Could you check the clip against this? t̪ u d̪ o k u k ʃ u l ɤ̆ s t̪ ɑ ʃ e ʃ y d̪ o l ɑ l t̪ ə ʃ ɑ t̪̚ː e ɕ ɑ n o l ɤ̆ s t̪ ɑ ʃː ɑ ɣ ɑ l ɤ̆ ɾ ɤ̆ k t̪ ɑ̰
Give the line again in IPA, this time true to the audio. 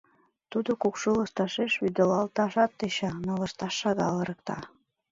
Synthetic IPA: t̪ u d̪ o k u k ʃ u l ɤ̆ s t̪ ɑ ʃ e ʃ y d̪ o l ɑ l t̪ ɑ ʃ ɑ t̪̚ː e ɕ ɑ n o l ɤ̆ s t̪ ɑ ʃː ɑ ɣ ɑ l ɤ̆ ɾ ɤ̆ k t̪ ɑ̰